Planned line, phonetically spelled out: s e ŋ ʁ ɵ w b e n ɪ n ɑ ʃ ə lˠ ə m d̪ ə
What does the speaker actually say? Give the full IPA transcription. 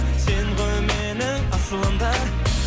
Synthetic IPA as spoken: s e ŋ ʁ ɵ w m e n ɪ ŋ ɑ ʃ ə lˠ ə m d̪ ɑ